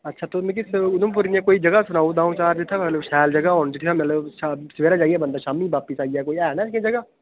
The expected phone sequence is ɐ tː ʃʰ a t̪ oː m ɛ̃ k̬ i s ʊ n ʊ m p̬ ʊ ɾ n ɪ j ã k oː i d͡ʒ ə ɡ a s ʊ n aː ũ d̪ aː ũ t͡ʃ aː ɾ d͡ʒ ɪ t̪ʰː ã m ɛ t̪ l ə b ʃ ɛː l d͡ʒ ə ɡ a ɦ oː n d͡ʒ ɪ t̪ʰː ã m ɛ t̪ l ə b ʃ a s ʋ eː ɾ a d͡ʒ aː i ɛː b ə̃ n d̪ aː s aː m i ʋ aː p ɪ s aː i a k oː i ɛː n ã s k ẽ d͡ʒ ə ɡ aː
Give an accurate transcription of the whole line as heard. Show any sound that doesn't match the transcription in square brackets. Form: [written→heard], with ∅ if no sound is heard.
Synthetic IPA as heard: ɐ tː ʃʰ a t̪ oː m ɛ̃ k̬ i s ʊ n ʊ m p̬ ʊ ɾ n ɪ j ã k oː i d͡ʒ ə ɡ a s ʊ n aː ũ d̪ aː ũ t͡ʃ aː ɾ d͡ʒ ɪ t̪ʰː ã m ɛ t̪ l ə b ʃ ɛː l d͡ʒ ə ɡ a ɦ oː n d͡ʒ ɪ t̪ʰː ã m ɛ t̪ l ə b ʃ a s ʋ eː ɾ a d͡ʒ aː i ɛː b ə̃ n d̪ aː [s→ʃ] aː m i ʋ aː p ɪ s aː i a k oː i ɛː n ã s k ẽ d͡ʒ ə ɡ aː